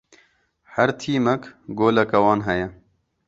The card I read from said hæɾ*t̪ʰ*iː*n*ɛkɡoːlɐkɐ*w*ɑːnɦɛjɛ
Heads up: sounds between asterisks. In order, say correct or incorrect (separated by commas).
correct, incorrect, correct